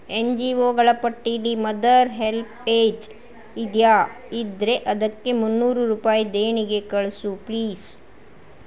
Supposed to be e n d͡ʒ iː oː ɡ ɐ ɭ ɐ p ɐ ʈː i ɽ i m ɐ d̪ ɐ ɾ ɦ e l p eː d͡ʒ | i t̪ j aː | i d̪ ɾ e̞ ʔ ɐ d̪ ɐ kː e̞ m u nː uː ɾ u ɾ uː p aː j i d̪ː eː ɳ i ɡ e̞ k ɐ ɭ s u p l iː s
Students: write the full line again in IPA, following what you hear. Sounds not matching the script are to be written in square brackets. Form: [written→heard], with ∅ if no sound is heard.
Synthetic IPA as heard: e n d͡ʒ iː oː ɡ ɐ ɭ ɐ p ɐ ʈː i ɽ i m ɐ d̪ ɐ ɾ ɦ e l p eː d͡ʒ | i [t̪→d̪] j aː | i d̪ ɾ e̞ ʔ ɐ d̪ ɐ kː e̞ m u nː uː ɾ u ɾ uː p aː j i [d̪ː→d̪] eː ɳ i ɡ e̞ k ɐ ɭ s u p l iː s